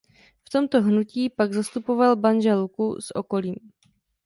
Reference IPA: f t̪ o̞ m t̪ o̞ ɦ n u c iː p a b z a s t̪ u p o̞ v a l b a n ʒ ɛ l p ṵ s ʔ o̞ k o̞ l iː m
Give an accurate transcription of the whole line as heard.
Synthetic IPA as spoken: f t̪ o̞ m t̪ o̞ ɦ n u c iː p a ɡ z a s t̪ u p o̞ v a l b a n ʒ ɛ l k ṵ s ʔ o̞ k o̞ l iː m